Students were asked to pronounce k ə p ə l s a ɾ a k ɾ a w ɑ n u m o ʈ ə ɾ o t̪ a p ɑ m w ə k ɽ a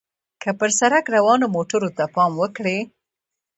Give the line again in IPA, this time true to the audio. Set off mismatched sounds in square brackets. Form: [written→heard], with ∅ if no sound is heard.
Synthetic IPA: k ə p ə [l→ɾ] s a ɾ a k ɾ a w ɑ n [u→o] m o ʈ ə ɾ o t̪ a p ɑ m w ə k ɽ [a→e]